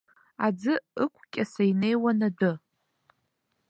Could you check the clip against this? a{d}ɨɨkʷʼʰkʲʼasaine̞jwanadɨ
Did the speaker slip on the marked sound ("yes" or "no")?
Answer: yes